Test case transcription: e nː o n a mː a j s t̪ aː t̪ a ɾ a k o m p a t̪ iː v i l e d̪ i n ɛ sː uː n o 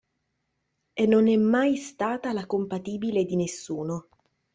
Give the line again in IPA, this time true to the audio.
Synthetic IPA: e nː o n ɛ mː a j s t̪ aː t̪ a l a k o m p a t̪ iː b i l e d̪ i n e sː uː n o